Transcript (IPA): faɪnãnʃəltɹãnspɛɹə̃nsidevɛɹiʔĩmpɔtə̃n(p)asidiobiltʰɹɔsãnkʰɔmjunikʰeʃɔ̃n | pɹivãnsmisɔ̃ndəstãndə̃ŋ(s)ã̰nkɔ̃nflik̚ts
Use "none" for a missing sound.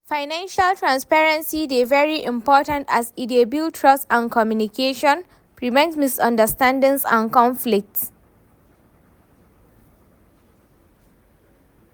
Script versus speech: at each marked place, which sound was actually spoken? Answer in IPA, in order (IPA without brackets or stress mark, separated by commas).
t, s